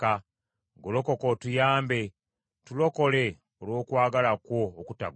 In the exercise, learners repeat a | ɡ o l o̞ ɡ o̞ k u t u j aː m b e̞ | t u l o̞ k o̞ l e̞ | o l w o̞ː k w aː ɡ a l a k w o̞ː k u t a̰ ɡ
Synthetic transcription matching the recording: a | ɡ o l o̞ k o̞ k o t u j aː m b e̞ | t u l o̞ k o̞ l e̞ | o l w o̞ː k w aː ɡ a l a k w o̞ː k u t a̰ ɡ